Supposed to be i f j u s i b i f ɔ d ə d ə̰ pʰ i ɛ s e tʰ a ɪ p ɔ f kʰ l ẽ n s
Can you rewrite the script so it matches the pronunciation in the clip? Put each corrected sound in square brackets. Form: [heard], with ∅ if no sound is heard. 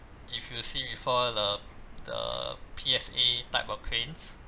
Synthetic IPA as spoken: i f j u s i b i f ɔ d ə d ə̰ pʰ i ɛ s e [t] a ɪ p ɔ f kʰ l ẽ n s